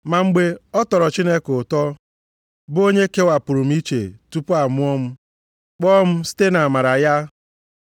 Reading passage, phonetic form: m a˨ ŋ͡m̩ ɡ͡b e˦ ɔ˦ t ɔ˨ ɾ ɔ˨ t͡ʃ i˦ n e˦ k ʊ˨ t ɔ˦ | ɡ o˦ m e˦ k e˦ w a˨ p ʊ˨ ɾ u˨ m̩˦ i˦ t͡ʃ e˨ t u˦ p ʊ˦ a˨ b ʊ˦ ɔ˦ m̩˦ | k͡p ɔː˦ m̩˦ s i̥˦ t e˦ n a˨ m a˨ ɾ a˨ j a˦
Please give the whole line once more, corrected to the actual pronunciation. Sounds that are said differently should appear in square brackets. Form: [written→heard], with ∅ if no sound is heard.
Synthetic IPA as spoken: m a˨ ŋ͡m̩ ɡ͡b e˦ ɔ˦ t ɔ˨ ɾ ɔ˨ t͡ʃ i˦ n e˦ k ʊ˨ t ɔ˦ | [ɡ→b] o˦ [m→ɲ] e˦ k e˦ w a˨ p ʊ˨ ɾ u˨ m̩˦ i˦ t͡ʃ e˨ t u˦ p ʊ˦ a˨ [b→m] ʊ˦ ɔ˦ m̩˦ | k͡p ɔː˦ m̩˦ s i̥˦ t e˦ n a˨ m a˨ ɾ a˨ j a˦

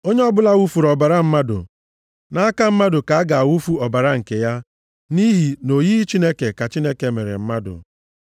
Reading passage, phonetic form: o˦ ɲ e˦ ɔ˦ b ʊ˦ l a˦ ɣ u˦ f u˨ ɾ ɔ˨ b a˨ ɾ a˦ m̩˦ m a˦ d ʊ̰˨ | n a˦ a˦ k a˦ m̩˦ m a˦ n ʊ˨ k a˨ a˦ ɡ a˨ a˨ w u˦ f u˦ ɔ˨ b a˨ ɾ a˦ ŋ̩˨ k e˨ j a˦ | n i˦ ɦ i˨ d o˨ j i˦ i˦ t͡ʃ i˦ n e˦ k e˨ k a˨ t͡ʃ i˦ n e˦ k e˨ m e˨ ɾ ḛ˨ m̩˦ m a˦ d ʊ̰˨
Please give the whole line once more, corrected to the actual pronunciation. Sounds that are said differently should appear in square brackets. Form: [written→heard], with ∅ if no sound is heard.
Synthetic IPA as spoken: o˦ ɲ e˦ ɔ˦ b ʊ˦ l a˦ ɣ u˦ f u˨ ɾ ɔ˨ b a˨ ɾ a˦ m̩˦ m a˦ d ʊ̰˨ | n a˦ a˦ k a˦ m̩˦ m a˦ [n→d] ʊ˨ k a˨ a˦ ɡ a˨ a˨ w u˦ f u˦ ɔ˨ b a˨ ɾ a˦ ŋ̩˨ k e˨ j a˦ | n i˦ ɦ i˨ [d→n] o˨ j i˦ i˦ t͡ʃ i˦ n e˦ k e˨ k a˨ t͡ʃ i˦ n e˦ k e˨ m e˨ ɾ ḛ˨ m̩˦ m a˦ d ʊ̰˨

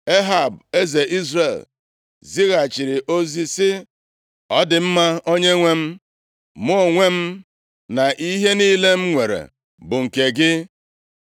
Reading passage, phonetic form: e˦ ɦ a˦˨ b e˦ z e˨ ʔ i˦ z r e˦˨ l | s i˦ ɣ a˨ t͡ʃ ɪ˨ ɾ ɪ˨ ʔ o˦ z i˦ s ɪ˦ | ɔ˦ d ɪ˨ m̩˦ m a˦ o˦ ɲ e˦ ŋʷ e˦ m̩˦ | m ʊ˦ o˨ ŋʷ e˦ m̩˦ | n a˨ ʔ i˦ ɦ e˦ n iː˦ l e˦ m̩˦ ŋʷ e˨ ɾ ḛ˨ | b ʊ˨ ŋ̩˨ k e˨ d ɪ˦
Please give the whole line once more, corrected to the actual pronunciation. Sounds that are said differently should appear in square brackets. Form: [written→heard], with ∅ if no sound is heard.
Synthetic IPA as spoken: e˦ ɦ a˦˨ b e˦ z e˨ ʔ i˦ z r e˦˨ l | [s→z] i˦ ɣ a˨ t͡ʃ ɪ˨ ɾ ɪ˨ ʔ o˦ z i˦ s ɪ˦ | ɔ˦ d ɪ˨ m̩˦ m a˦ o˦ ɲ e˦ ŋʷ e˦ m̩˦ | m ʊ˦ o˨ ŋʷ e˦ m̩˦ | n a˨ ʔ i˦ ɦ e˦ n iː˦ l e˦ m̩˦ ŋʷ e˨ ɾ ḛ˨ | b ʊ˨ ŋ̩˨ k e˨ [d→ɡ] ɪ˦

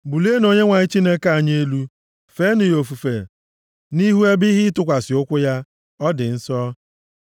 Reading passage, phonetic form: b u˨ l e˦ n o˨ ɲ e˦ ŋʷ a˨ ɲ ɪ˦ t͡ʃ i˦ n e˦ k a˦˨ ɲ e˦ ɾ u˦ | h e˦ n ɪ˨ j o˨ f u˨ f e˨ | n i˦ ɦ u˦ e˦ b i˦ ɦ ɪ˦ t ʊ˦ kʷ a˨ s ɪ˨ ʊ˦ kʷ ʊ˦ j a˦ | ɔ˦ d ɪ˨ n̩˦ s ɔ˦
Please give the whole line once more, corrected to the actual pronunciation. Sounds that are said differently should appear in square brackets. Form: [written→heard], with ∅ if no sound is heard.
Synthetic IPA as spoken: b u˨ l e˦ n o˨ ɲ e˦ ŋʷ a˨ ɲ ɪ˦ t͡ʃ i˦ n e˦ k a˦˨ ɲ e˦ [ɾ→l] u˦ | [h→f] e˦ n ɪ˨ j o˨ f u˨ f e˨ | n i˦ ɦ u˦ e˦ b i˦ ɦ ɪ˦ t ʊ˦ kʷ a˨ s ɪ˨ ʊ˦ kʷ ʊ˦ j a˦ | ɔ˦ d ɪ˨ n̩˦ s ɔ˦

